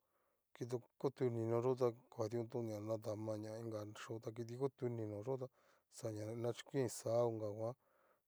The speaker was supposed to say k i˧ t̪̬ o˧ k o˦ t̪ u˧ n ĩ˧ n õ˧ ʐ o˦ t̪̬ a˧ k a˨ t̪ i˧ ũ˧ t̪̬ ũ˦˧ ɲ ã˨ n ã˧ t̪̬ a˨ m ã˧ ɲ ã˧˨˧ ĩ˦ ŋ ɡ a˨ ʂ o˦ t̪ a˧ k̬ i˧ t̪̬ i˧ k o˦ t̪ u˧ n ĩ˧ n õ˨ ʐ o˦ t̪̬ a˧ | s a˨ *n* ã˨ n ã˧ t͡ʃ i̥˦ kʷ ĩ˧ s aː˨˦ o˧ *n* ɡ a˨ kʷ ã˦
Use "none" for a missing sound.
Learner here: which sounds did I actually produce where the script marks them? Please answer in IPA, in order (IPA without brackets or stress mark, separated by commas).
ɲ, ŋ